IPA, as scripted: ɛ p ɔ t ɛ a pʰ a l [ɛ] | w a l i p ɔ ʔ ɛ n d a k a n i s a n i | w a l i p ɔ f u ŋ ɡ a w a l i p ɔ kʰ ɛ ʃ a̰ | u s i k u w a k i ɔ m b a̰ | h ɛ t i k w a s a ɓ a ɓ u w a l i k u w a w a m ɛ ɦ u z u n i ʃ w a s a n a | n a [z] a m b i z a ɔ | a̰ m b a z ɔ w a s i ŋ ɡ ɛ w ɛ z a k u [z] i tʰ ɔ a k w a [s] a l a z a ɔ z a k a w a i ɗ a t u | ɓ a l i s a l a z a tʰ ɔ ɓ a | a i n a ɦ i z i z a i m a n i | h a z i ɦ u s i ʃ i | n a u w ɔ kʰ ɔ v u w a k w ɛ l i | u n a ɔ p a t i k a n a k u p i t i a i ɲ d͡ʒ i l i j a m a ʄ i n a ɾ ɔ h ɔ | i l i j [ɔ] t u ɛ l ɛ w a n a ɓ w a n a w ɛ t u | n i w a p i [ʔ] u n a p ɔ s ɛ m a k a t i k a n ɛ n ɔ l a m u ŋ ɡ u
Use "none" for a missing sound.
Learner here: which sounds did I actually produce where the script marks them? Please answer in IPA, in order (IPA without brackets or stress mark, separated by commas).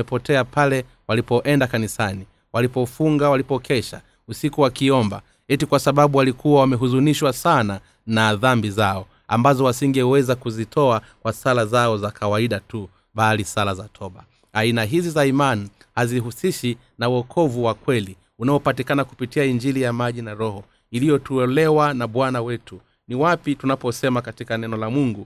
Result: ɛ, ð, z, s, ɔ, t